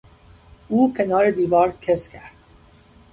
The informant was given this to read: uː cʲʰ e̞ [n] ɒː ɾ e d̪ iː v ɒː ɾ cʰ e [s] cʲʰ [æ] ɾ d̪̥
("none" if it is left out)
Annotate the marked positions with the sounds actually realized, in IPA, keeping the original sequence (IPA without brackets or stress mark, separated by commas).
n, s, æ